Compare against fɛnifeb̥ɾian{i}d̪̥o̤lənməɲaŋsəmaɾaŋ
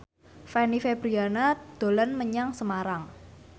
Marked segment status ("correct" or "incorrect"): incorrect